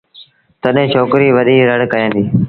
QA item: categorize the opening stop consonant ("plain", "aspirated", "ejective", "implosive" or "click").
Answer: plain